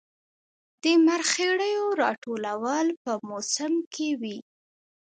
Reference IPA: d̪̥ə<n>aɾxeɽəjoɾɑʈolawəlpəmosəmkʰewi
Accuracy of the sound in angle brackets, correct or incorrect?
incorrect